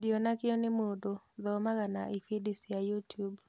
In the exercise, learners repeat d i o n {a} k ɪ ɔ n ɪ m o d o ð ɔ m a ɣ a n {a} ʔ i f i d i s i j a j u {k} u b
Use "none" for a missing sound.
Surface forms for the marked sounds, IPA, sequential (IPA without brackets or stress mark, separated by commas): a, a, t